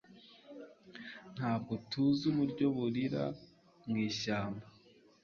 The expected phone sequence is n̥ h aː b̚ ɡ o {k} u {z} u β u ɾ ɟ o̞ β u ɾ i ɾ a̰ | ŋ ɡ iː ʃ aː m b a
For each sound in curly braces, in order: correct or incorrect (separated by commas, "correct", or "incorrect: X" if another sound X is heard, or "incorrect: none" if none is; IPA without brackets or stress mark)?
incorrect: t, correct